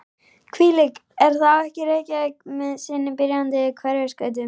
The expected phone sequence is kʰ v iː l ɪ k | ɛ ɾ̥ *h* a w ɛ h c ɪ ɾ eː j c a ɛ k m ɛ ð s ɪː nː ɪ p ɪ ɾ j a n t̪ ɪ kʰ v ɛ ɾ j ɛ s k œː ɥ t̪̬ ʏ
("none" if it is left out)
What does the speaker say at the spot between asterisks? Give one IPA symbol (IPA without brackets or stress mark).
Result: θ